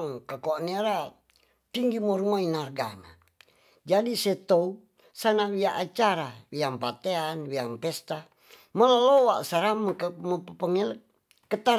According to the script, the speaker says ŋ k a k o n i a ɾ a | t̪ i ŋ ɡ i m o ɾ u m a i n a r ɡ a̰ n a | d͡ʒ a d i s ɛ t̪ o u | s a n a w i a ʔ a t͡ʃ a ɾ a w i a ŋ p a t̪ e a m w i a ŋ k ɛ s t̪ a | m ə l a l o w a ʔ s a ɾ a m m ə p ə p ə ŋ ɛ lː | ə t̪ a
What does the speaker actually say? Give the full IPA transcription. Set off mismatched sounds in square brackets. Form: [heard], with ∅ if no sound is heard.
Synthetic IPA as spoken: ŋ k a k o n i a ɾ a | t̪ i ŋ ɡ i m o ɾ u m a i n a r ɡ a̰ n a | d͡ʒ a d i s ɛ t̪ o u | s a n a w i a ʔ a t͡ʃ a ɾ a w i a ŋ p a t̪ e a [n] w i a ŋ [p] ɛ s t̪ a | m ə l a l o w a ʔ s a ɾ a m m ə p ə p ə ŋ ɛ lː | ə t̪ a